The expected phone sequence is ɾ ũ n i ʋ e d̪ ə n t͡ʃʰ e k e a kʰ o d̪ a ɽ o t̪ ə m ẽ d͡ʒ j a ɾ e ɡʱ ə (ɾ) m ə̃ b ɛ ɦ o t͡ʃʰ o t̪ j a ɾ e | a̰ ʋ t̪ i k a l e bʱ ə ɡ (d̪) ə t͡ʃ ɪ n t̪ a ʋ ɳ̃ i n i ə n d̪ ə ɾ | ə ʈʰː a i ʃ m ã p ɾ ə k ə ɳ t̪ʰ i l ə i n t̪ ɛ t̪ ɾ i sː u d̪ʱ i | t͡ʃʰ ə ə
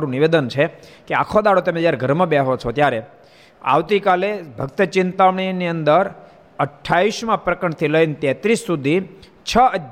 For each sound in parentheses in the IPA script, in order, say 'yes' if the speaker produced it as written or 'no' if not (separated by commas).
yes, no